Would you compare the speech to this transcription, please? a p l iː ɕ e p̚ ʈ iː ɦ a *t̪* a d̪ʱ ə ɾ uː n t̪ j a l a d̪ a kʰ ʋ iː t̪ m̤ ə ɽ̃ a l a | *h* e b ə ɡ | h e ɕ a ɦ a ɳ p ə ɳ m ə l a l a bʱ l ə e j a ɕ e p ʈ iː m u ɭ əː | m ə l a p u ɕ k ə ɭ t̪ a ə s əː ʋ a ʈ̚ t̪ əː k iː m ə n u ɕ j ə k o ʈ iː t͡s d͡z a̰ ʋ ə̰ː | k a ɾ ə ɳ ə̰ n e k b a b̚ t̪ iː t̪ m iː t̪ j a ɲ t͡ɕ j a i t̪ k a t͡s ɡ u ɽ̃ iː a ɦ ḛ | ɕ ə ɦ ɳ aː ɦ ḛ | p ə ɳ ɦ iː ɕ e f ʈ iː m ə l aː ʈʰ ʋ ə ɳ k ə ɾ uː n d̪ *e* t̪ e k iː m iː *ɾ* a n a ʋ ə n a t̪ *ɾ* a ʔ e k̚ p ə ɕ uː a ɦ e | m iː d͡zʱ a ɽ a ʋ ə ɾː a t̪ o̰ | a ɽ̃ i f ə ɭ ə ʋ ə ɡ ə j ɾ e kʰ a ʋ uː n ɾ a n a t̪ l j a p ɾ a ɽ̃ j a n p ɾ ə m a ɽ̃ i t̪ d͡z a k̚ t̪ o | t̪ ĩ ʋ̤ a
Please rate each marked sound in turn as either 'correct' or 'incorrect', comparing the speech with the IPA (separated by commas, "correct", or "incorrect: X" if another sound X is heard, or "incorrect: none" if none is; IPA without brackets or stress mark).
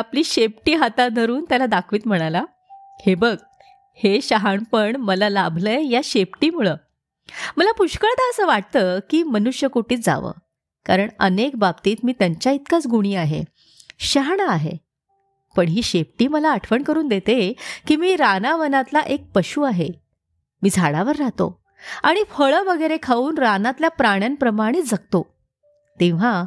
correct, correct, correct, correct, incorrect: l